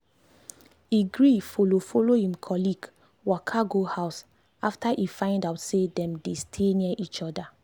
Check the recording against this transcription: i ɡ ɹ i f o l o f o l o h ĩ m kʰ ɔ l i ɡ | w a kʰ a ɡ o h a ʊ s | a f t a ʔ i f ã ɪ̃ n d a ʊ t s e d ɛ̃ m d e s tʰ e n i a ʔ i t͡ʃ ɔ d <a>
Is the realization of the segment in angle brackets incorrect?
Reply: no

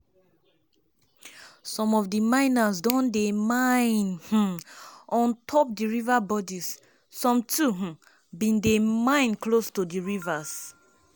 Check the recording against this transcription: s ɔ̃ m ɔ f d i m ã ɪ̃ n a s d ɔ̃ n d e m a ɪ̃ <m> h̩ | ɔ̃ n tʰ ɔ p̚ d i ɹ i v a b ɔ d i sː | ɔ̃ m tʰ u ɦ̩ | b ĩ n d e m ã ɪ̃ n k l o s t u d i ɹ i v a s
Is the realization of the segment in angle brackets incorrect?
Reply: yes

